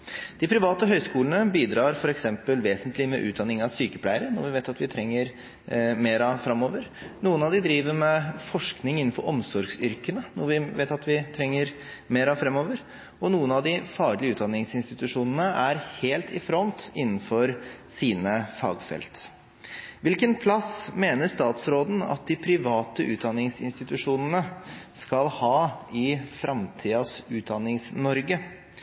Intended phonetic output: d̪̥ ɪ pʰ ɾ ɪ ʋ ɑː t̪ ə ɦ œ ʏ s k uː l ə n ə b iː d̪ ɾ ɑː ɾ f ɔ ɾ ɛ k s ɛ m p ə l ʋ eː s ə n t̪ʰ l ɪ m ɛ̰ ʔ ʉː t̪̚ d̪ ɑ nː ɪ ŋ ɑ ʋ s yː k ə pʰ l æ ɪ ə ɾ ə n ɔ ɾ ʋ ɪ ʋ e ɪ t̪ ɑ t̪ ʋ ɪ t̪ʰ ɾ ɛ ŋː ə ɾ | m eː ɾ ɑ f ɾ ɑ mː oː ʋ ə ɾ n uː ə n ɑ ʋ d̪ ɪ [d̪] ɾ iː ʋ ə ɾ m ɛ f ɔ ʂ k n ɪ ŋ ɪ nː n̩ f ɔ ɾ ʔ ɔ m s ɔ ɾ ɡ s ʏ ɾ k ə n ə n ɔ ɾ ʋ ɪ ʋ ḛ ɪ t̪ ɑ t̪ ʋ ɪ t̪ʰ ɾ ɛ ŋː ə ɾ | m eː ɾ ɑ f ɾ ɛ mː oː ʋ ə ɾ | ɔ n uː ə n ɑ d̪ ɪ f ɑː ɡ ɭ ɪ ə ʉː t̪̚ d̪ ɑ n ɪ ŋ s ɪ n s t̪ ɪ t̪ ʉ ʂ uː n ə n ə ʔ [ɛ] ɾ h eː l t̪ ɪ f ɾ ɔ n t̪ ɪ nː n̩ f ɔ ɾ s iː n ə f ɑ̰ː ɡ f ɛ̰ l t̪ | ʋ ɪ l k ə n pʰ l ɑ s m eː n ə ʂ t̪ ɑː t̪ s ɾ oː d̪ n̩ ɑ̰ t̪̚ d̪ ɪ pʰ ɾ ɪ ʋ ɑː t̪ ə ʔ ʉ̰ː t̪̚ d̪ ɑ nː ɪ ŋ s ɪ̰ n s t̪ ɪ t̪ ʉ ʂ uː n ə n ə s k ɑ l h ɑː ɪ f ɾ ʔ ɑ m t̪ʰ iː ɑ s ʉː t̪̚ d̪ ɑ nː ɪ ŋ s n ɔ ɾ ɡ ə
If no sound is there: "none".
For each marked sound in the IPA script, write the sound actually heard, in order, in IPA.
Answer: d̪, æ

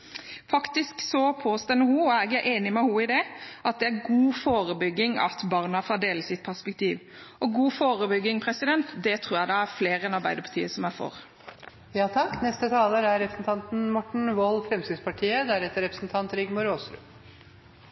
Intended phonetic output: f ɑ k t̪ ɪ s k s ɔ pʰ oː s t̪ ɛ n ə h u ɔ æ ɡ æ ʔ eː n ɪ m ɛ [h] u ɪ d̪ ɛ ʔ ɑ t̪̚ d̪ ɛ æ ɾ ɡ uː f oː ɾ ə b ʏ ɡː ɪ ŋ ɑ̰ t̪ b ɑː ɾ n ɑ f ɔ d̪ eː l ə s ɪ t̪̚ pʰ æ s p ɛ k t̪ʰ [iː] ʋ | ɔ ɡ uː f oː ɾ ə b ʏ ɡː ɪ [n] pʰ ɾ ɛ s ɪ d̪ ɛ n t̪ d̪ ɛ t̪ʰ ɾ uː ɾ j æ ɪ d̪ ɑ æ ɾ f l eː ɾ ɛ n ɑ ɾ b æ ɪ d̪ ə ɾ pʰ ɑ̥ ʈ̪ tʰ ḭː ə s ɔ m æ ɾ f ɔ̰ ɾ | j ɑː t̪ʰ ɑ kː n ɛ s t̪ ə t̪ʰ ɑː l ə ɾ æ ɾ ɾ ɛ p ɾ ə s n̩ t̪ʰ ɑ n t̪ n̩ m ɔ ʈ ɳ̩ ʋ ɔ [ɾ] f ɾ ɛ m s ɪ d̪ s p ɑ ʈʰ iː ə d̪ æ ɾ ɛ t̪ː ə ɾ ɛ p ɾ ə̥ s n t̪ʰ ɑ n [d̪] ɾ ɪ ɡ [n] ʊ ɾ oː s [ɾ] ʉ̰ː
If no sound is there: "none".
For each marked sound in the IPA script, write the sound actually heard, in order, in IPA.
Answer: h, iː, ŋ, l, t̪, m, ɾ

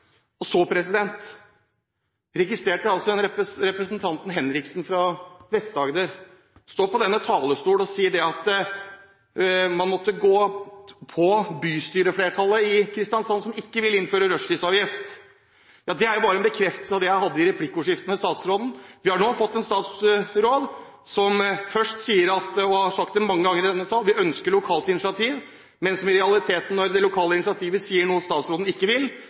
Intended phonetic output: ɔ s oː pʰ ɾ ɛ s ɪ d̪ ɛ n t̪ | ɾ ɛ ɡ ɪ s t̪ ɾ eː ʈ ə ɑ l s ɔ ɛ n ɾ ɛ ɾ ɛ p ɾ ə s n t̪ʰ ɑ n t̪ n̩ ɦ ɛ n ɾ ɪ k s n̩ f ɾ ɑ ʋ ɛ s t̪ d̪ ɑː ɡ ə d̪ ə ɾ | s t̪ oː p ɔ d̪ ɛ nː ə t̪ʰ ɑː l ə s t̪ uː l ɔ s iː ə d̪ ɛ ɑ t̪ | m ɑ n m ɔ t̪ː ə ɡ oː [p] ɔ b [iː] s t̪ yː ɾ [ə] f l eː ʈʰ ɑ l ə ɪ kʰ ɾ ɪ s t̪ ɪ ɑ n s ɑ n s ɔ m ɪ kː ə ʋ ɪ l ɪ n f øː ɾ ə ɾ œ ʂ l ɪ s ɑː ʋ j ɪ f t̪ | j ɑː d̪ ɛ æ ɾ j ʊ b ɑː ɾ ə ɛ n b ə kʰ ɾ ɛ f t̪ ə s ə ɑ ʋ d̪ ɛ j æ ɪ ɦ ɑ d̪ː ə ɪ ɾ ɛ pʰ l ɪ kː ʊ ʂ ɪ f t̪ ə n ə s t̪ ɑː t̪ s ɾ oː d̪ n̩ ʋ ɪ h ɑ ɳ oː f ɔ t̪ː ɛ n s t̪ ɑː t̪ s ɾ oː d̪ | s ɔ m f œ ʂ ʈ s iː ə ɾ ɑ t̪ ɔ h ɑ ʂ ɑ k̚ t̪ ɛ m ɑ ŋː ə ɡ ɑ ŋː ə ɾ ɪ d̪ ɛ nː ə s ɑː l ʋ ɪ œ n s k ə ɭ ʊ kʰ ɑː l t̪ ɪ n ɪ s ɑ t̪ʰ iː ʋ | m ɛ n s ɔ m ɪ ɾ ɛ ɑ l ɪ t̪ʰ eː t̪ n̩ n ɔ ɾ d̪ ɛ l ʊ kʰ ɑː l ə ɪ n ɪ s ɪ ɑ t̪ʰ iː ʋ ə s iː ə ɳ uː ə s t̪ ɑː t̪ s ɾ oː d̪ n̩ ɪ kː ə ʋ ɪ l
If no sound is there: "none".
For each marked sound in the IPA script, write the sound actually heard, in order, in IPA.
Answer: pʰ, yː, ə

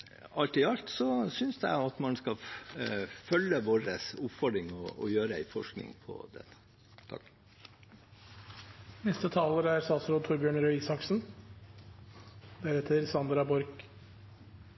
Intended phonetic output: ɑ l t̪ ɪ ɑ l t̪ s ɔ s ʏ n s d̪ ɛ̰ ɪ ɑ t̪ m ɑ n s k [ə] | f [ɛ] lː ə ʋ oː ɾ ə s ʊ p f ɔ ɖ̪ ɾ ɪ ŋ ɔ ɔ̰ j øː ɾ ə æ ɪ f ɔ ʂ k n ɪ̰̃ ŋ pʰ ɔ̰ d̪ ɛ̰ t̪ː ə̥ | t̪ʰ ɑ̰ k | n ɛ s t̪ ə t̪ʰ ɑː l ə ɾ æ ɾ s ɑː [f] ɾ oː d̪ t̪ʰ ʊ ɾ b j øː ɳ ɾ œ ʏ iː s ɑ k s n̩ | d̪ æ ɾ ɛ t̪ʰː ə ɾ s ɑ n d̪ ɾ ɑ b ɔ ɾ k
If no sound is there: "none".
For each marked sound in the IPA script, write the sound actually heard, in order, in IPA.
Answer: ɑ, œ, s

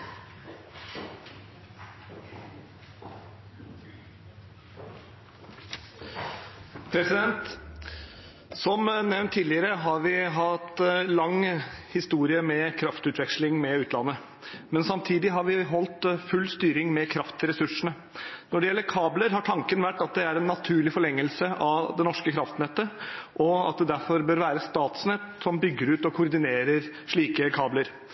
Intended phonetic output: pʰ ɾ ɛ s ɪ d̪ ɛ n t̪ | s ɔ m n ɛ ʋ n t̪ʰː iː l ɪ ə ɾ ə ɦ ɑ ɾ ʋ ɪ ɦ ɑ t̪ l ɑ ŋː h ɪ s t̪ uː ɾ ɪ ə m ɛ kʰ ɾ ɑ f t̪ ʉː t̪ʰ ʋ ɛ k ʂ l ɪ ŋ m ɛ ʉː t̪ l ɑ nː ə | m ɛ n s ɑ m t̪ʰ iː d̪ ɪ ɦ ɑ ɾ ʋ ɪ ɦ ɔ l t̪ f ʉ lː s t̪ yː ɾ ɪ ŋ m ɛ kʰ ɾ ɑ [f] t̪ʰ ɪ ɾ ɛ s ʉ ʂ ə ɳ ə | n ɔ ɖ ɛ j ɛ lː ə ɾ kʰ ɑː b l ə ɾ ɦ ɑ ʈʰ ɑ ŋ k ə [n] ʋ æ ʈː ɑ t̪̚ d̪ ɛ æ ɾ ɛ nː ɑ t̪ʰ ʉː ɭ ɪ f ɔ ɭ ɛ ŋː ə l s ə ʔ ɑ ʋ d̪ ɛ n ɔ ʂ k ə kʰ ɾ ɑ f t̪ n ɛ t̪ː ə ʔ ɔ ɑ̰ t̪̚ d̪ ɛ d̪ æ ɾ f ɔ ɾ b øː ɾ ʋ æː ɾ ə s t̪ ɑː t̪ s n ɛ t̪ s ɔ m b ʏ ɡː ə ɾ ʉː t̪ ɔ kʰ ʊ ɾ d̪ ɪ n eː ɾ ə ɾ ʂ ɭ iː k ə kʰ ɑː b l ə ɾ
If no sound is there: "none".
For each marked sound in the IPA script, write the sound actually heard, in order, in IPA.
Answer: f, n

